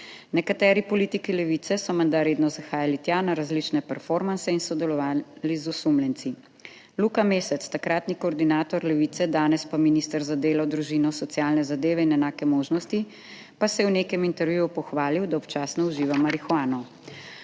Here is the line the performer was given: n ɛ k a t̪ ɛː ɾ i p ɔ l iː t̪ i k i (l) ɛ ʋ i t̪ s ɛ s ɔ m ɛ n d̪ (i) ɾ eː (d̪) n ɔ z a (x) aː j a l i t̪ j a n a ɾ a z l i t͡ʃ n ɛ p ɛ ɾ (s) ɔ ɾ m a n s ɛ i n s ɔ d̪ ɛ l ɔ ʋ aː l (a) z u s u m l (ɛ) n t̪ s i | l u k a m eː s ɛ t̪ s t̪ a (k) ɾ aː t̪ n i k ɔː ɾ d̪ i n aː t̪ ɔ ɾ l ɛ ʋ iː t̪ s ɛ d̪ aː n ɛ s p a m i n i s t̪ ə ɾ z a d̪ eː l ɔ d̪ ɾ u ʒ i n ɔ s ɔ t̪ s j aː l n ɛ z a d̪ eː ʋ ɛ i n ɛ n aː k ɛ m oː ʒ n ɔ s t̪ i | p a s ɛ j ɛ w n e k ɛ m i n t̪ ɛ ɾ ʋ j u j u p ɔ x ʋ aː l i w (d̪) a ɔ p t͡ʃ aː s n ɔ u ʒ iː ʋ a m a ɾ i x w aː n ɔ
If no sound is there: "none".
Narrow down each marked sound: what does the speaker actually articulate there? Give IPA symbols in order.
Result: l, a, d̪, x, f, i, ɛ, k, d̪

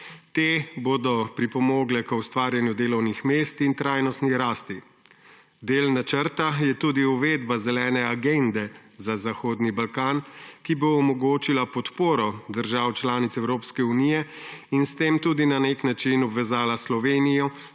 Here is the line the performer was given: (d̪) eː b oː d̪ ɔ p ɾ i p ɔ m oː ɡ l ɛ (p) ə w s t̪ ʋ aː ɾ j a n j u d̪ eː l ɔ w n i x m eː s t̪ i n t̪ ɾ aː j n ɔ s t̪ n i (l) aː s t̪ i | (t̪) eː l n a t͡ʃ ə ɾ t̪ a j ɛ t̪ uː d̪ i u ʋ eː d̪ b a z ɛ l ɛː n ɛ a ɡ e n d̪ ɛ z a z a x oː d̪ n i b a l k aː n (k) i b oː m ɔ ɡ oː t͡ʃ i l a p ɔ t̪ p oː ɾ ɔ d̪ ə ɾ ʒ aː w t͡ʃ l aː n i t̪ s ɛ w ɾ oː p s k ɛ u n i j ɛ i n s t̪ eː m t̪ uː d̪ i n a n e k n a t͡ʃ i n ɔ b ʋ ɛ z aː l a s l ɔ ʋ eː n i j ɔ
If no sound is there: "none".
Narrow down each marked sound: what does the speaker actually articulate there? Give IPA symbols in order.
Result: t̪, k, ɾ, d̪, k

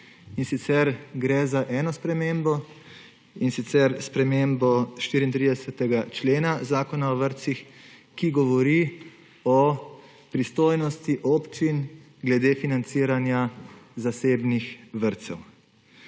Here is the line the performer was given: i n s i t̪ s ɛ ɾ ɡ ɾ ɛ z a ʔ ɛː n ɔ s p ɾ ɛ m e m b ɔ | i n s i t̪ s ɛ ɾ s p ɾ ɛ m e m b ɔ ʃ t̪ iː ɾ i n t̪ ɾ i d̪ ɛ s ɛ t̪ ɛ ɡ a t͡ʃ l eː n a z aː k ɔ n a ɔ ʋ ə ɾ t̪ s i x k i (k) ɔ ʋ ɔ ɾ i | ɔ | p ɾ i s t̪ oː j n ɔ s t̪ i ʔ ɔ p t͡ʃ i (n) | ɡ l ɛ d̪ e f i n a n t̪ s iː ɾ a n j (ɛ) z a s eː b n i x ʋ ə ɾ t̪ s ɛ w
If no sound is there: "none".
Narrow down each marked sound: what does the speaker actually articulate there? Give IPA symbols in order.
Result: ɡ, n, a

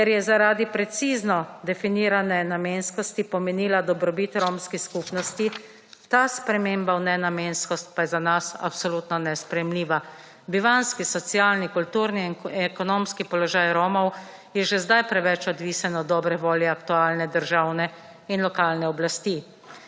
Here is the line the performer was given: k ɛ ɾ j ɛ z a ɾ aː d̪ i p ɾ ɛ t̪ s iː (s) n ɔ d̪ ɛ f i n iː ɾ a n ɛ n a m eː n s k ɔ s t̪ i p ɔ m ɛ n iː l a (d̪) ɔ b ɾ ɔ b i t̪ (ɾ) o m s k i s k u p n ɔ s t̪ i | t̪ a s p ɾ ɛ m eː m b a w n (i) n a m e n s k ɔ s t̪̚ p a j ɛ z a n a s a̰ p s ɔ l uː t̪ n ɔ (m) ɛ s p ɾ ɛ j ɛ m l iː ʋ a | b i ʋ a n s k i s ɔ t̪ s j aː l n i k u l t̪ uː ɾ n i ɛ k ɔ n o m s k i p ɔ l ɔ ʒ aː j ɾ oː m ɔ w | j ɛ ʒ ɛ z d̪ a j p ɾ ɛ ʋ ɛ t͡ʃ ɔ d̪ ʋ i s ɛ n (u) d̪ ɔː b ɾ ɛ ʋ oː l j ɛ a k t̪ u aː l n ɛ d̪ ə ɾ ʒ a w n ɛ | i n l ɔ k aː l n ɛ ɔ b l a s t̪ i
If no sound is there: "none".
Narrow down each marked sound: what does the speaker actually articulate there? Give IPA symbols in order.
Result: z, d̪, ɾ, ɛ, n, ɔ

